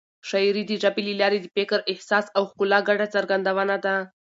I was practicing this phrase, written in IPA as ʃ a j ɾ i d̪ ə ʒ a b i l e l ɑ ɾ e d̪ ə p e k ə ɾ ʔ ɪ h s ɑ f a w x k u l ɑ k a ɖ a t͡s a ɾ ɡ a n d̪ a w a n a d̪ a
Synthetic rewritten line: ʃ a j ɾ i d̪ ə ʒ a b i l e l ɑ ɾ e d̪ ə p e k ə ɾ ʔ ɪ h s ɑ s a w x k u l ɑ ɡ a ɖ a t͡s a ɾ ɡ a n d̪ a w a n a d̪ a